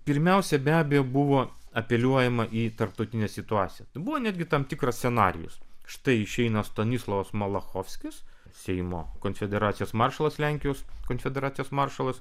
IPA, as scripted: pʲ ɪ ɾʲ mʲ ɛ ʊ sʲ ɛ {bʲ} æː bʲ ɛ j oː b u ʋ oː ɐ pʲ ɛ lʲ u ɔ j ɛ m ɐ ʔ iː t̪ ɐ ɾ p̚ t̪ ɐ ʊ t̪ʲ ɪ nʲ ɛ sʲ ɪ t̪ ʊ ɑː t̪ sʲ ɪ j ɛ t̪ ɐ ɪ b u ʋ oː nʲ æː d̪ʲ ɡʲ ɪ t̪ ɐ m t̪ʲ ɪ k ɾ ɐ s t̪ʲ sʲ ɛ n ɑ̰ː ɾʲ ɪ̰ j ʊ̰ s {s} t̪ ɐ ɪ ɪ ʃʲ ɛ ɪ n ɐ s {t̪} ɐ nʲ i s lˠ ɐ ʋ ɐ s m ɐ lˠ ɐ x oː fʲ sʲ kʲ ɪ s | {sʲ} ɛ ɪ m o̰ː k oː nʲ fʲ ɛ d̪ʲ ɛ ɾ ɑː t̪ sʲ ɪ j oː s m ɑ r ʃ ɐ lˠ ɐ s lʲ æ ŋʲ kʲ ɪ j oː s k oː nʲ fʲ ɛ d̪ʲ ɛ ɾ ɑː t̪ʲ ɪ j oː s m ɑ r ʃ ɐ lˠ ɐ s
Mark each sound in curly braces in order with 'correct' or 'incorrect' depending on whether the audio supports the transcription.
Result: correct, incorrect, correct, correct

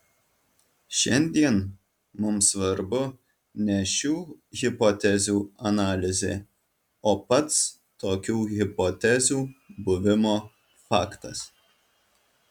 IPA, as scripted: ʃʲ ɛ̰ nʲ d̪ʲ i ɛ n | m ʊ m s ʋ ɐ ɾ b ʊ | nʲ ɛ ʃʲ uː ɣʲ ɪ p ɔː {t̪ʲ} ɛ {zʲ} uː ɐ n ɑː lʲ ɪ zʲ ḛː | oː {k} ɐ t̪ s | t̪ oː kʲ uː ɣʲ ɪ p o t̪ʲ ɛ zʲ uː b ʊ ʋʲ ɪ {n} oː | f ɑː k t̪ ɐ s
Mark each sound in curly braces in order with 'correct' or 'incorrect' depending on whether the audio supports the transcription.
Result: correct, correct, incorrect, incorrect

